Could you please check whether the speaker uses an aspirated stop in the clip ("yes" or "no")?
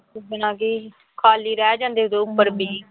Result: yes